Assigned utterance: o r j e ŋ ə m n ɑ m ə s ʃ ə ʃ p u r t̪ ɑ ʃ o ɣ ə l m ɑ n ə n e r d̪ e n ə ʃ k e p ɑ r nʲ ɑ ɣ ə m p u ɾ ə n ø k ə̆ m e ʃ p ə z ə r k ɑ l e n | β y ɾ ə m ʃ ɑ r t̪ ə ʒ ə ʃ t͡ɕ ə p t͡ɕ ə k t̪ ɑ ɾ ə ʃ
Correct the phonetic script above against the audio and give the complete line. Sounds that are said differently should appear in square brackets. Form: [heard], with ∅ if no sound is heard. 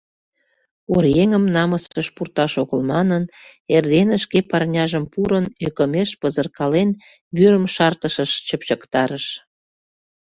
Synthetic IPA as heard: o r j e ŋ ə m n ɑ m ə s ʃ ə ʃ p u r t̪ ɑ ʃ o ɣ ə l m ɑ n ə n e r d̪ e n ə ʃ k e p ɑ r nʲ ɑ [ʒ] ə m p u ɾ ə n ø k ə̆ m e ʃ p ə z ə r k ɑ l e n | β y ɾ ə m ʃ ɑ r t̪ ə [ʃ] ə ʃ t͡ɕ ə p t͡ɕ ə k t̪ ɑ ɾ ə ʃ

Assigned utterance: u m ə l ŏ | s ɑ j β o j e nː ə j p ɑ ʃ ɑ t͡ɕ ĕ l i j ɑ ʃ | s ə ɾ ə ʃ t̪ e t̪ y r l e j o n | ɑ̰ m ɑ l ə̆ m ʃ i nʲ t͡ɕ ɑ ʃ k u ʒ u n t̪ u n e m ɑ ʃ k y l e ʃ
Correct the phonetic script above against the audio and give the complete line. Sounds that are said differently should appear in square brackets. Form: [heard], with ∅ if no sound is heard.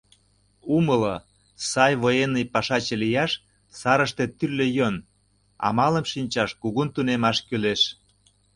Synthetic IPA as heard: u m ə l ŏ | s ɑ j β o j e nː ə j p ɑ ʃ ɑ t͡ɕ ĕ l i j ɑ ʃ | s [ɑ] ɾ ə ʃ t̪ e t̪ y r l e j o n | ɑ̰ m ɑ l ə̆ m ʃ i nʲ t͡ɕ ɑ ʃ k u [ɣ] u n t̪ u n e m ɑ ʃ k y l e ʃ

